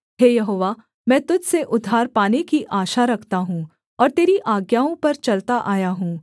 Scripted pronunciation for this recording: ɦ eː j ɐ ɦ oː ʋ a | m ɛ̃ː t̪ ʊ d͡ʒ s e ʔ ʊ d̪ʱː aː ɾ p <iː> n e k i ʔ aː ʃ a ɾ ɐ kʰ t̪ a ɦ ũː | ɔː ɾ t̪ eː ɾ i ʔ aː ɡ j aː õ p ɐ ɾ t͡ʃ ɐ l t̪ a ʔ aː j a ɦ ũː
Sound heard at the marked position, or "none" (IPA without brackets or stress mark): aː